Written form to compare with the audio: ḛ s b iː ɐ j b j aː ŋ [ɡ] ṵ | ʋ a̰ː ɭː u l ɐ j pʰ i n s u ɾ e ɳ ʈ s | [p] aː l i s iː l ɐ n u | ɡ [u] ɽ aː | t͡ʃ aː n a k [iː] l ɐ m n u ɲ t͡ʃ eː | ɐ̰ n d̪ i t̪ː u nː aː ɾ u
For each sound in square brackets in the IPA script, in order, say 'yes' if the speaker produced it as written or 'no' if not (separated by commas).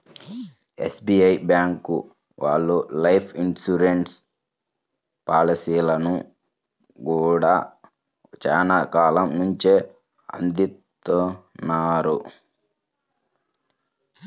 no, yes, no, no